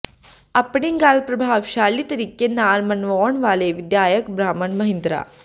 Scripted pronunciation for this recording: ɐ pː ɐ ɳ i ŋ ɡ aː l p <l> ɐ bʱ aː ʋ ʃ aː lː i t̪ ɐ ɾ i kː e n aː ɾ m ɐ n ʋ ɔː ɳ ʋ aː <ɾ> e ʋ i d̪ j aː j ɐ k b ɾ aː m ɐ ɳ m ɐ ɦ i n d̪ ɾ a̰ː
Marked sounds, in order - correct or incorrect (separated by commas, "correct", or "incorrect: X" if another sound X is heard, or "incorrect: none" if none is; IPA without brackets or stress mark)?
incorrect: ɾ, incorrect: l